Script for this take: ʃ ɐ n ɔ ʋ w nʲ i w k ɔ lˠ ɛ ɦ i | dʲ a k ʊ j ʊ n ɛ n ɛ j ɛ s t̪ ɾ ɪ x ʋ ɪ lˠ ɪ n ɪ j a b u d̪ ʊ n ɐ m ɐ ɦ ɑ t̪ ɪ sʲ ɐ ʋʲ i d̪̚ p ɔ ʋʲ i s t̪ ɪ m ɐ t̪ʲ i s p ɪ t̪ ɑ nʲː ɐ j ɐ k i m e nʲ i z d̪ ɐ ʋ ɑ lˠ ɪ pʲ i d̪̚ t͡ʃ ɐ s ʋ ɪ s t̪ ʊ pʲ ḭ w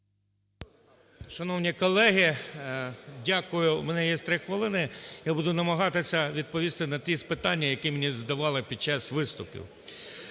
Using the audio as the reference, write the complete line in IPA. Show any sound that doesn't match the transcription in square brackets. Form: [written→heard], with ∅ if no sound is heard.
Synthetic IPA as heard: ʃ ɐ n ɔ [ʋ→∅] w nʲ i [w→∅] k ɔ lˠ ɛ ɦ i | dʲ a k ʊ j ʊ [n→m] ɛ n ɛ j ɛ s t̪ ɾ ɪ x ʋ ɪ lˠ ɪ n ɪ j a b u d̪ ʊ n ɐ m ɐ ɦ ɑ t̪ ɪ sʲ ɐ ʋʲ i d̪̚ p ɔ ʋʲ i s t̪ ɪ [m→n] ɐ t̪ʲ i s p ɪ t̪ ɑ nʲː ɐ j ɐ k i m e nʲ i z d̪ ɐ ʋ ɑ lˠ ɪ pʲ i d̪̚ t͡ʃ [ɐ→ɑ] s ʋ ɪ s t̪ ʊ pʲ ḭ w